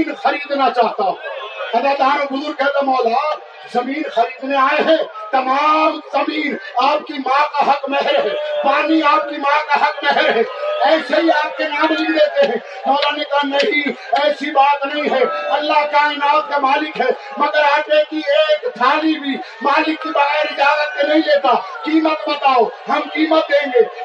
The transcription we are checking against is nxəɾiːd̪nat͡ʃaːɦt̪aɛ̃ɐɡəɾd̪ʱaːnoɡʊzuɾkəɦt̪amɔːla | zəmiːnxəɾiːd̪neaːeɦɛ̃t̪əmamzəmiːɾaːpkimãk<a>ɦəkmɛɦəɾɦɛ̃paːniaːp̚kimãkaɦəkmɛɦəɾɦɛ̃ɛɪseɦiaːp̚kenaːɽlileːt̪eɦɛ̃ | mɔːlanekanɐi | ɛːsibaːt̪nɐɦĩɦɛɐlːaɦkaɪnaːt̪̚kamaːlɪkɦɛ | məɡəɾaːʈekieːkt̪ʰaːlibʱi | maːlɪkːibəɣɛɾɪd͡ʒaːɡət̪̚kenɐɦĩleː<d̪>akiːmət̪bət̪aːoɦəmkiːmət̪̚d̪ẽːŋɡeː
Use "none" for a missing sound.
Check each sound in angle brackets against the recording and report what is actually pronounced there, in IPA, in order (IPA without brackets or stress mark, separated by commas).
a, t̪